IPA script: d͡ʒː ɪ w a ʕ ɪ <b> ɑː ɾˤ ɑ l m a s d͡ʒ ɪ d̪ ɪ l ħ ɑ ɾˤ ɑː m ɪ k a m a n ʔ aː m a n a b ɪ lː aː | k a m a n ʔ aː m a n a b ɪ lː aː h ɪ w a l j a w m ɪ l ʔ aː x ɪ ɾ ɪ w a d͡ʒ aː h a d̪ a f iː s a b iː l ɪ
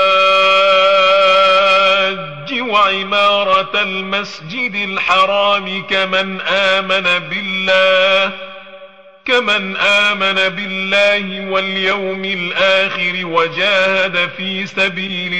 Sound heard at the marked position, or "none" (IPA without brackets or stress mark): m